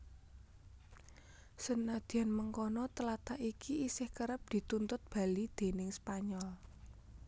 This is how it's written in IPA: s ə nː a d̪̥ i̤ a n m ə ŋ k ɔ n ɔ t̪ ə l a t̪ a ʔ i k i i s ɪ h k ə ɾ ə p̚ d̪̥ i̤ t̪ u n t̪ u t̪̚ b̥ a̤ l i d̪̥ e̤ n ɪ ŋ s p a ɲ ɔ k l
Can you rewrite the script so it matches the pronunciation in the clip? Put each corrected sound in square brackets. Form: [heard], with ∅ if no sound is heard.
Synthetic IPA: s ə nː a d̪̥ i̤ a n m ə ŋ k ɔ n ɔ t̪ ə l a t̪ a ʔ i k i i s ɪ h k ə ɾ ə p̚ d̪̥ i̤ t̪ u n t̪ [ʊ] t̪̚ b̥ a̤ l i d̪̥ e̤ n ɪ ŋ s p a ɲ ɔ [∅] l